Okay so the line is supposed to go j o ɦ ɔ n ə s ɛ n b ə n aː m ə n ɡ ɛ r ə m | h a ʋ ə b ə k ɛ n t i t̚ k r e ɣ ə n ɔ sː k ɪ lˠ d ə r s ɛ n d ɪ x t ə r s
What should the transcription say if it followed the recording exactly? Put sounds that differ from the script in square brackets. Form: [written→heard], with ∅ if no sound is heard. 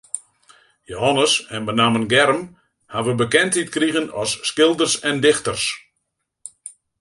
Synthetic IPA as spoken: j o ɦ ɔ n ə s ɛ n b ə n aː m ə n ɡ ɛ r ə m | h a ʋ ə b ə k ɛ n t i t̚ k r [e→i] ɣ ə n ɔ sː k ɪ lˠ d ə r s ɛ n d ɪ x t ə r s

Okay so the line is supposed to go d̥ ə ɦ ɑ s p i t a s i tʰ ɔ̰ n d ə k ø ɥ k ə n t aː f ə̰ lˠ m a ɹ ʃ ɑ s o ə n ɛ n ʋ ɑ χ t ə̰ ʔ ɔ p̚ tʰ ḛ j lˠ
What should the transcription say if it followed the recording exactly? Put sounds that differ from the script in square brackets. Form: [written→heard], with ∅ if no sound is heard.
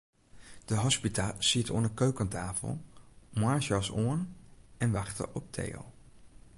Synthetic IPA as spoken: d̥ ə ɦ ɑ s p i t a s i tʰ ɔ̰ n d ə k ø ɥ k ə n t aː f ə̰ lˠ m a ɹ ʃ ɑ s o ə n ɛ n ʋ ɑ χ t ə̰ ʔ ɔ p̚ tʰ ḛ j lˠ

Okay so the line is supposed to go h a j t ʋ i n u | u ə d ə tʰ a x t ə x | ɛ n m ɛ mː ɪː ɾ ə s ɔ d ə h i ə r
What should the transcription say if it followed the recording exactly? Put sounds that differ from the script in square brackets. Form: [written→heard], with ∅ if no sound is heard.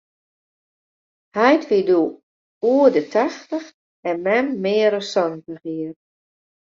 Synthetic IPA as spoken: h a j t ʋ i [n→d] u | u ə d ə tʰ a x t ə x | ɛ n m ɛ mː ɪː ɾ ə s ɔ [d→n] ə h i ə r

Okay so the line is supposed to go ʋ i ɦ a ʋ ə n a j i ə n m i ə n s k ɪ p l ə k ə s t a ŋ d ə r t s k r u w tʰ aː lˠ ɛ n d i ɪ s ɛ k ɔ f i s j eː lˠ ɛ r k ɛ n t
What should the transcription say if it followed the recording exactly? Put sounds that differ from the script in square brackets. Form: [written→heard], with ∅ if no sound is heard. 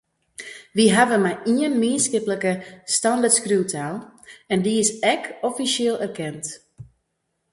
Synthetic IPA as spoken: ʋ i ɦ a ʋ ə [n→m] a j i ə n m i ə n s k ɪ p l ə k ə s t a [ŋ→n] d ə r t s k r u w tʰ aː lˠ ɛ n d i ɪ s ɛ k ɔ f i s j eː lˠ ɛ r k ɛ n t

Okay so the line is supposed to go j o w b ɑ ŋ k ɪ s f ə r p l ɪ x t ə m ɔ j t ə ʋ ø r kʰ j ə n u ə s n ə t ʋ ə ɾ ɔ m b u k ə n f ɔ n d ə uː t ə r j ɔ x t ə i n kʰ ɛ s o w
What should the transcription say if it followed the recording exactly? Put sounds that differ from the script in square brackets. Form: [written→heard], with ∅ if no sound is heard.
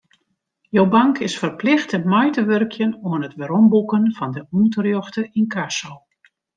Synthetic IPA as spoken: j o w b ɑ ŋ k ɪ s f ə r p l ɪ x t ə m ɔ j t ə ʋ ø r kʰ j ə n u ə [s→∅] n ə t ʋ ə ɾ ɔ m b u k ə n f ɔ n d ə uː t ə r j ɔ x t ə i n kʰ [ɛ→a] s o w

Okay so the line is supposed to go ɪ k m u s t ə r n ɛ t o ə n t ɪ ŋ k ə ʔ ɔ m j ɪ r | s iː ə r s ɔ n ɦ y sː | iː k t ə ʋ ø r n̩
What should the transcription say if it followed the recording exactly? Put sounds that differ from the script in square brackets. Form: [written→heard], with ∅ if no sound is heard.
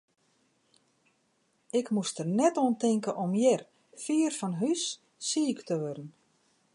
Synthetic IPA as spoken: ɪ k m u s t ə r n ɛ t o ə n t ɪ ŋ k ə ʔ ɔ m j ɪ r | [s→f] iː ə r [s→f] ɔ n ɦ y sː | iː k t ə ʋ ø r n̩

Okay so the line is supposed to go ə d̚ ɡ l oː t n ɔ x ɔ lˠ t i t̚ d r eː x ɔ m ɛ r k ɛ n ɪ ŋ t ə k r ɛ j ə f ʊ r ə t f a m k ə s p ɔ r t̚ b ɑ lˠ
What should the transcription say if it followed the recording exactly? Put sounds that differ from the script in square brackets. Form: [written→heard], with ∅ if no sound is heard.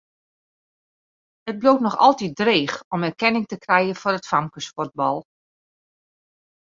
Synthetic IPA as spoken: ə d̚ [ɡ→b] l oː t n ɔ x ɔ lˠ t i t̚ d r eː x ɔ m ɛ r k ɛ n ɪ ŋ t ə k r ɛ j ə f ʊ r ə t f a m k ə s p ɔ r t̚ b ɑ lˠ

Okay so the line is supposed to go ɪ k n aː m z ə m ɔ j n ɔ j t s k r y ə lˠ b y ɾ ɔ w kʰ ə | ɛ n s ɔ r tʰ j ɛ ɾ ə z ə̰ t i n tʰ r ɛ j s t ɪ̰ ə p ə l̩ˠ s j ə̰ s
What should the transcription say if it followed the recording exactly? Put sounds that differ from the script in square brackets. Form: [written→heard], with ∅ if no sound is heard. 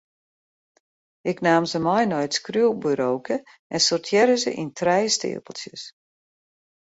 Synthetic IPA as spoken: ɪ k n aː m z ə m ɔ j n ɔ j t s k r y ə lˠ b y ɾ [ɔ→o] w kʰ ə | ɛ n s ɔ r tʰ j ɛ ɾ ə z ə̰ [t→ʔ] i n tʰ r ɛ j s t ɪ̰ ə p ə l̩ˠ s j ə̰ s

